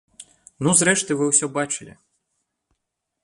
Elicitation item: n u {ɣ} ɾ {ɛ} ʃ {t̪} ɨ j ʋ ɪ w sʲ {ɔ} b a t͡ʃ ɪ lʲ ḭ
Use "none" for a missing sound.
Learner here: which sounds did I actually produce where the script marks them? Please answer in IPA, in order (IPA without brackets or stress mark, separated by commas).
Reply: z, ɛ, t̪, ɔ